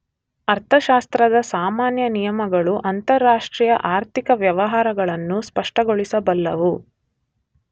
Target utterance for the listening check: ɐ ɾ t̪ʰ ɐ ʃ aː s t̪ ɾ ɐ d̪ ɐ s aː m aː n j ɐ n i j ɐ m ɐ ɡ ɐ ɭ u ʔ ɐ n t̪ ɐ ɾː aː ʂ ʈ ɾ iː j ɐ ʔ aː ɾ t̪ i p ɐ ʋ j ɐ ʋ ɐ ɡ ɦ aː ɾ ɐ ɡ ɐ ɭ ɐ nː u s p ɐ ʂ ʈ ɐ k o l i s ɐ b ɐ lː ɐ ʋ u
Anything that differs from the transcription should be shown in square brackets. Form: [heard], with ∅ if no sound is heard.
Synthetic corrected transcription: ɐ ɾ t̪ʰ ɐ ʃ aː s t̪ ɾ ɐ d̪ ɐ s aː m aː n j ɐ n i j ɐ m ɐ ɡ ɐ ɭ u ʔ ɐ n t̪ ɐ ɾː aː ʂ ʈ ɾ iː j ɐ ʔ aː ɾ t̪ i [k] ɐ ʋ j ɐ ʋ ɐ [∅] ɦ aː ɾ ɐ ɡ ɐ ɭ ɐ nː u s p ɐ ʂ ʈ ɐ [ɡ] o [ɭ] i s ɐ b ɐ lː ɐ ʋ u